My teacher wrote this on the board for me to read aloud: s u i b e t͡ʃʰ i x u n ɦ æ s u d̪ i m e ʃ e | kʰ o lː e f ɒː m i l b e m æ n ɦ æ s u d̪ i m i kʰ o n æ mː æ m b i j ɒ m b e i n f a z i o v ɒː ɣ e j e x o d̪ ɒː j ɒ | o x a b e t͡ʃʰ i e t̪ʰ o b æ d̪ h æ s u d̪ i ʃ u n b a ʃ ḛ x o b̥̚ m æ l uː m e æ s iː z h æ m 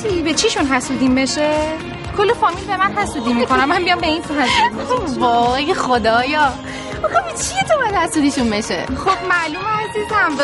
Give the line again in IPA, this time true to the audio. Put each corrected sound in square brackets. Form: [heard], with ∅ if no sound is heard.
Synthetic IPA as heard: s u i b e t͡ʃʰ i [ʃ] u n ɦ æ s u d̪ i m e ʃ e | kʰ o lː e f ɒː m i l b e m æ n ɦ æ s u d̪ i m i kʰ o n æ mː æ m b i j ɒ m b e i n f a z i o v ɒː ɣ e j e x o d̪ ɒː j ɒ | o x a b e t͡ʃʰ i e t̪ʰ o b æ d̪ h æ s u d̪ i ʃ u n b [e] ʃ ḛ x o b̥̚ m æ l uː m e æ [z] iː z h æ m